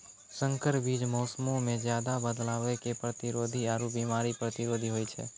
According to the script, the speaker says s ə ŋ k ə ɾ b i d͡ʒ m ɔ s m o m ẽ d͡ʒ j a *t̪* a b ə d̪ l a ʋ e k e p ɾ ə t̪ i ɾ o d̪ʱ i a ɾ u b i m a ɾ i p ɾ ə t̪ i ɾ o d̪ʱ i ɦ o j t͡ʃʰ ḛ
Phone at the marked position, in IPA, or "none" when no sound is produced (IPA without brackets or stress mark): d̪